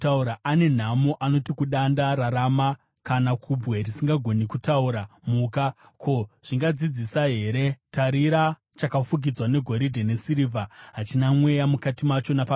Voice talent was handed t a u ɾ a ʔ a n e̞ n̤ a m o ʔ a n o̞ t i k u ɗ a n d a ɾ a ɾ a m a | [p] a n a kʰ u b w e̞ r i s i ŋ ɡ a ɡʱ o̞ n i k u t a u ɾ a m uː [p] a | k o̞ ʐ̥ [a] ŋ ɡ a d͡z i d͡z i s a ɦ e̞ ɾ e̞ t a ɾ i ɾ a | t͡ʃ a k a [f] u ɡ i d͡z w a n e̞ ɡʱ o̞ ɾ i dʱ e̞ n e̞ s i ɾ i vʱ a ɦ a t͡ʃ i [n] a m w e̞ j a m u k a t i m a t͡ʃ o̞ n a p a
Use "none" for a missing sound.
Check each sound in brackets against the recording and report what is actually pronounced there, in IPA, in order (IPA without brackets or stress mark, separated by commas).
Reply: k, k, i, f, n